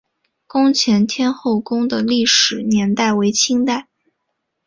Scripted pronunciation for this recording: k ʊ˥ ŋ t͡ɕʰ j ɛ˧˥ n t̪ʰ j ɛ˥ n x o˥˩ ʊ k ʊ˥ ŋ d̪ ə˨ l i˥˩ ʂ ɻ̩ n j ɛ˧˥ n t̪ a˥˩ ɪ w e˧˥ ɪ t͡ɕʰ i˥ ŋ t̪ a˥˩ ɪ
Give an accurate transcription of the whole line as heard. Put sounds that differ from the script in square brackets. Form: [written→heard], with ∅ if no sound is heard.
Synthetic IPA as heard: k ʊ˥ ŋ t͡ɕʰ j ɛ˧˥ n t̪ʰ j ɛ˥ n x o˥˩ ʊ k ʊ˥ ŋ d̪ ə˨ l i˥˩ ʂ ɻ̩ n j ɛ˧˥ n t̪ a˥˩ ɪ w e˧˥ ɪ t͡ɕʰ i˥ ŋ t̪ a˥˩ ɪ